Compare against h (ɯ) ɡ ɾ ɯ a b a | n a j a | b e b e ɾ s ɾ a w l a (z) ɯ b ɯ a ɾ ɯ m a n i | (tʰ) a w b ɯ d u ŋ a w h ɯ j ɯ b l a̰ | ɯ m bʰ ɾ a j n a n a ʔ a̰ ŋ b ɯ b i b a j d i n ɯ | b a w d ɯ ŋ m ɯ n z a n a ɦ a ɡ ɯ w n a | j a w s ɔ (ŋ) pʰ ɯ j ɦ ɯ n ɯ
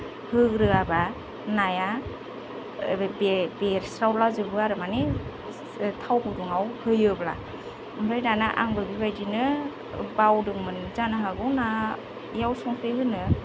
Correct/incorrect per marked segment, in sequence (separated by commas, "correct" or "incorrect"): correct, correct, correct, correct